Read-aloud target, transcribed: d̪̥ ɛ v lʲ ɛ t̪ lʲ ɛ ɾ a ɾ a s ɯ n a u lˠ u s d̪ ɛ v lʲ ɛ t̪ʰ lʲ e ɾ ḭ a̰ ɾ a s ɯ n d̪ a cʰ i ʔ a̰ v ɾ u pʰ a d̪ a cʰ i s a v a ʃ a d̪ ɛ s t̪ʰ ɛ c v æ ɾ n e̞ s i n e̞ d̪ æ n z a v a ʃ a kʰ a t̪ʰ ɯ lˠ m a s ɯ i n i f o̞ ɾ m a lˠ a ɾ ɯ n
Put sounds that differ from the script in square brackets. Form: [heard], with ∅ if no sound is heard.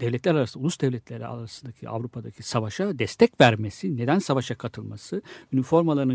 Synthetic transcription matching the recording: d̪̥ ɛ v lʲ ɛ t̪ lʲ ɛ ɾ a ɾ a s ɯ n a u lˠ u s d̪ ɛ v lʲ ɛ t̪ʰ lʲ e ɾ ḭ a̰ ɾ a s ɯ n d̪ a cʰ i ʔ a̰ v ɾ u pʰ a d̪ a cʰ i s a v a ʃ a d̪ ɛ s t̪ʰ ɛ c v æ ɾ [m] e̞ s i n e̞ d̪ æ n [s] a v a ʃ a kʰ a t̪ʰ ɯ lˠ m a s ɯ [y] n i f o̞ ɾ m a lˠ a ɾ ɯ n